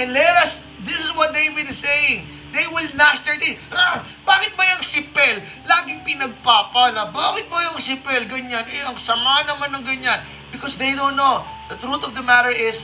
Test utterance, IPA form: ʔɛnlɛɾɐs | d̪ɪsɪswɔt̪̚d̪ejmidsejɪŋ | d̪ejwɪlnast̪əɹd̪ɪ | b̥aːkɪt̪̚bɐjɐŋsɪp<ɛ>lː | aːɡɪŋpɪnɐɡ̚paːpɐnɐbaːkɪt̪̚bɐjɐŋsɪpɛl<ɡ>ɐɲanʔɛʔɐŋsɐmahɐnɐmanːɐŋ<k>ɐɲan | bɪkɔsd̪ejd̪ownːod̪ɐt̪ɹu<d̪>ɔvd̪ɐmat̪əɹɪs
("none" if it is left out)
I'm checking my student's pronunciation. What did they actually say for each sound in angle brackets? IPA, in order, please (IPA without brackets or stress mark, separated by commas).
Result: ɛ, ɡ, ɡ, t̪